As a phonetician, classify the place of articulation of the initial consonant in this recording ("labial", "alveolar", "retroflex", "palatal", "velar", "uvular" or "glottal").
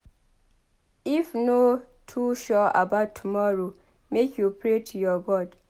labial